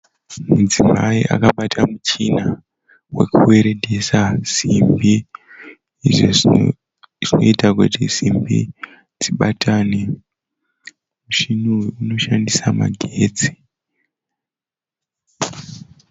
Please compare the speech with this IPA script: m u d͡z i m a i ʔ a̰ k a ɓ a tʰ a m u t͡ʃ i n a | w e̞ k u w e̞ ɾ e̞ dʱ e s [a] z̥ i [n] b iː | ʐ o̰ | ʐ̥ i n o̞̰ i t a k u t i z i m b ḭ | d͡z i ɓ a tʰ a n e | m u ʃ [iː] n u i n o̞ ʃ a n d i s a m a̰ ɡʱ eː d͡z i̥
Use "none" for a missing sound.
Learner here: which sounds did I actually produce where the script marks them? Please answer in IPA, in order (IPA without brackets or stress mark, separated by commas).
a, m, i